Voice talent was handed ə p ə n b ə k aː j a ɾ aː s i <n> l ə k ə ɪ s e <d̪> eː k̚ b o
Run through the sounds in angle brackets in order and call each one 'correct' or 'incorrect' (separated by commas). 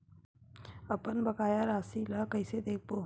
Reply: incorrect, correct